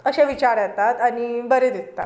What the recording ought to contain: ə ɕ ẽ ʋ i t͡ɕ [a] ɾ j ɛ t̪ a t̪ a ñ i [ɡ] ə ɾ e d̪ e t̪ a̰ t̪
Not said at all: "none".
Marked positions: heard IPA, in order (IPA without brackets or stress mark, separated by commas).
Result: a, b